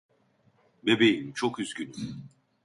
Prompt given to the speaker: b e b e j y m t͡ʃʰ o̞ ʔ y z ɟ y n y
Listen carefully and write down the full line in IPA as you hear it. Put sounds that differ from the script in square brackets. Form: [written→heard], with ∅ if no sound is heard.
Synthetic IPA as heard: b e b e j [y→i] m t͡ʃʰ o̞ [ʔ→k] y z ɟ y n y